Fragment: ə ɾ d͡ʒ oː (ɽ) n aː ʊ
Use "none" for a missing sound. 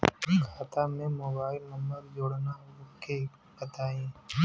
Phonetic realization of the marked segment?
ɽ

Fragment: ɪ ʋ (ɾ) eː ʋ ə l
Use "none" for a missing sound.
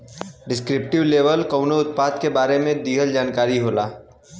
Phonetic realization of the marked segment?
l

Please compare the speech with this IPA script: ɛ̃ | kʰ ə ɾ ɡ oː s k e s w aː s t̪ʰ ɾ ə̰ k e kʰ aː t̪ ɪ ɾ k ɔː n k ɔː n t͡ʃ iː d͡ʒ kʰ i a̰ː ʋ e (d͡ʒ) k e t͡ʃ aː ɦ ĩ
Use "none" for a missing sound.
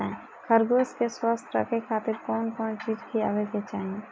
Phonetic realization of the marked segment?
none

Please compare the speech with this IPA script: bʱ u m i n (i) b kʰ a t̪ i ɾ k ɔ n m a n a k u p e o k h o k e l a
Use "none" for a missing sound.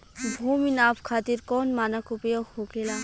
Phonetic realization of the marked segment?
a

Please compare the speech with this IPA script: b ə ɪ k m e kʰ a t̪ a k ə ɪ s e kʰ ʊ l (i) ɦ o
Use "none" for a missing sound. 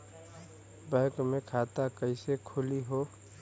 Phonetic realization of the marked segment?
i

